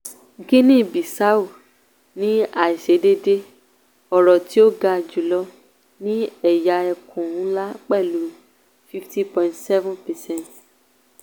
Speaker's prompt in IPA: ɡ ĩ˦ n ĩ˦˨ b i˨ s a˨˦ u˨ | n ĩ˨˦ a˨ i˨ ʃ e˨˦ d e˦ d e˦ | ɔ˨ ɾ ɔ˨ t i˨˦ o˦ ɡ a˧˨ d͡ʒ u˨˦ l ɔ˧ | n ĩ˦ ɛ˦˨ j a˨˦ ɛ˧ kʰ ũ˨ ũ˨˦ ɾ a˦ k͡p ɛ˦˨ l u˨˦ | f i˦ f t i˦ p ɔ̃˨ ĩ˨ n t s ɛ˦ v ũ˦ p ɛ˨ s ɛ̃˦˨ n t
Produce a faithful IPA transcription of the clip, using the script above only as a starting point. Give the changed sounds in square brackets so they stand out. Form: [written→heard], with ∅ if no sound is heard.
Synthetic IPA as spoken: ɡ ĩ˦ n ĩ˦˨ b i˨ s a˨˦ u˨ | n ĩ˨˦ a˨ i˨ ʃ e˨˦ d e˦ d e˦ | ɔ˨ ɾ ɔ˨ t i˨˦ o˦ ɡ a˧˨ d͡ʒ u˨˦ l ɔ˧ | n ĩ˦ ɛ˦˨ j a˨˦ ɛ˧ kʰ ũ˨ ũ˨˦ [ɾ→l] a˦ k͡p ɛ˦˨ l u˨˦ | f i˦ f t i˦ p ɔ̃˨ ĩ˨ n t s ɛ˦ v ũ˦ p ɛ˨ s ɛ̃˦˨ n t